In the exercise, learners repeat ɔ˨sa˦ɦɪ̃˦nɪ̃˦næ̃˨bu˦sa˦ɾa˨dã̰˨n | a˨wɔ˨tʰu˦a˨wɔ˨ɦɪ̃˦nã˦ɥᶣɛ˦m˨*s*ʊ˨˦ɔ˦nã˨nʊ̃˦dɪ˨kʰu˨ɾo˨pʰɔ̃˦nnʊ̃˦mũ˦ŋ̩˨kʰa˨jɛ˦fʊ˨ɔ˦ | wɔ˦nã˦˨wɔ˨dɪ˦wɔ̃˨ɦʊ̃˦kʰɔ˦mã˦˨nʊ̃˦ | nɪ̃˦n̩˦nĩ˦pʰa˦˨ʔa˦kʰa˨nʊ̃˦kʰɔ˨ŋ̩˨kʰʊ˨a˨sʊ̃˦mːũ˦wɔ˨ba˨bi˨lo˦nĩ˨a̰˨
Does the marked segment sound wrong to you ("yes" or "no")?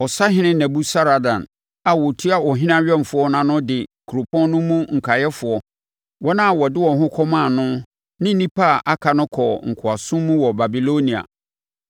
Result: yes